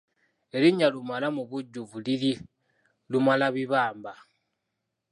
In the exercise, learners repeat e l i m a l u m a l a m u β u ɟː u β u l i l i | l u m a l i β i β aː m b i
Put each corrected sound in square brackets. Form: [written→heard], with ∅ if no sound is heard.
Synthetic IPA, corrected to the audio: e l i [m→ɲ] a l u m a l a m u β u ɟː u [β→v] u l i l i | l u m a l [i→a] β i β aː m b [i→a]